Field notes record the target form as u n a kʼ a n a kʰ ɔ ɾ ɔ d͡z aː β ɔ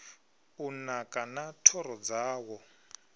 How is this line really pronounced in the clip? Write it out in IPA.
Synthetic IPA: u n a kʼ a n a tʰ ɔ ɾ ɔ d͡z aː w ɔ

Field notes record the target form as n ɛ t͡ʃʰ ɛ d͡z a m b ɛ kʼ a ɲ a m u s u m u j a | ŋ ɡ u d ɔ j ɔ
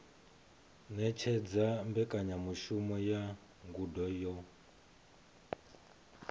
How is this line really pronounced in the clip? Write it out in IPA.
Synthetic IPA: n ɛ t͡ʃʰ ɛ d͡z a m b ɛ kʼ a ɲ a m u ʃ u m ɔ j a | ŋ ɡ u d ɔ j ɔ

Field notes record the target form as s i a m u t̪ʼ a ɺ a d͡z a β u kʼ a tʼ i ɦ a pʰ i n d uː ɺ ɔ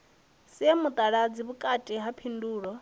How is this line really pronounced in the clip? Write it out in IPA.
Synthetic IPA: s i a m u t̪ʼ a ɺ a d͡z i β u kʼ a tʼ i ɦ a pʰ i n d uː ɺ ɔ

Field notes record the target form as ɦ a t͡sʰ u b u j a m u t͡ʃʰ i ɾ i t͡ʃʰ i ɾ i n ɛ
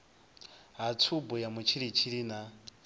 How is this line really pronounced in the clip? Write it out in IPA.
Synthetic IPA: ɦ a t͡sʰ u b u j a m u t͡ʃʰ i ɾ i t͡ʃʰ i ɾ i n a

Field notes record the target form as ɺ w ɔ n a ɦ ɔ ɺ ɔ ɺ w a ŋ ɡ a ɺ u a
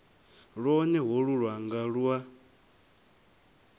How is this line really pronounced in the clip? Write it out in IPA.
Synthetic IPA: ɺ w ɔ n ɛ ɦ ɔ ɺ u ɺ w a ŋ ɡ a ɺ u a

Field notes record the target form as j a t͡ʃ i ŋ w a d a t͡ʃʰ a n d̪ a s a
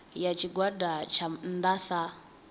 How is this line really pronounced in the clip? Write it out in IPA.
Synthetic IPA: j a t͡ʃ i ɡ w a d a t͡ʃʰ a n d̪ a s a

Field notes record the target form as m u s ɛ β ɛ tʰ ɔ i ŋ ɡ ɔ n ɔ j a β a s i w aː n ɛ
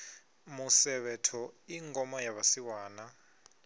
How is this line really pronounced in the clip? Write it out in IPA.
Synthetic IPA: m u s ɛ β ɛ tʰ ɔ i ŋ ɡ ɔ m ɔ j a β a s i w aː n a

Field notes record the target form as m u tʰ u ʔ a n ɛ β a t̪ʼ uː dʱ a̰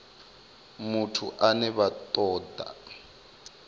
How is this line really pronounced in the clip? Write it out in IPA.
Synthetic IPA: m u tʰ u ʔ a n ɛ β a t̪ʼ ɔː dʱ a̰

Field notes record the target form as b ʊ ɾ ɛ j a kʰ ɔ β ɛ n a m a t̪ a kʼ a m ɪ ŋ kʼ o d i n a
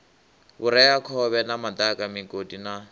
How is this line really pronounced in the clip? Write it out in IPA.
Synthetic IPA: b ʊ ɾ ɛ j a kʰ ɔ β ɛ n a m a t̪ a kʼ a m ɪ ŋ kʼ o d i n a

